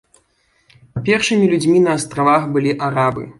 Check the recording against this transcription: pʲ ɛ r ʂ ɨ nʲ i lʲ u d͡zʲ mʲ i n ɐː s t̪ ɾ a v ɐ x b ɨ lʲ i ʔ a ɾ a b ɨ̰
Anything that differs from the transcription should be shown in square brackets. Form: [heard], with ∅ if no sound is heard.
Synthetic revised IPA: pʲ ɛ r ʂ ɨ [mʲ] i lʲ u d͡zʲ mʲ i n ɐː s t̪ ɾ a v [a] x b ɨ lʲ i ʔ a ɾ a b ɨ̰